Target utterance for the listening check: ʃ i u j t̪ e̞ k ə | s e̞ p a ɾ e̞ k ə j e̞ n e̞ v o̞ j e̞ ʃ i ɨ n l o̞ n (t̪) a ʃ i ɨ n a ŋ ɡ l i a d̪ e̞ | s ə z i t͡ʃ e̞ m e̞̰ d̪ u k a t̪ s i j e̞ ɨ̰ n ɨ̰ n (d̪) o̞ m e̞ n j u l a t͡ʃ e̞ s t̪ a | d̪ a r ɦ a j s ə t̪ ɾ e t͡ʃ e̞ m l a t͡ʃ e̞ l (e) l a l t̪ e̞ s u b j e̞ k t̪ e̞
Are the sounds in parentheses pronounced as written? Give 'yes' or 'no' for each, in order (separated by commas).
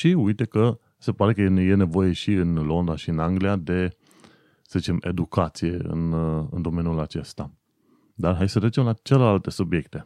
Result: no, yes, yes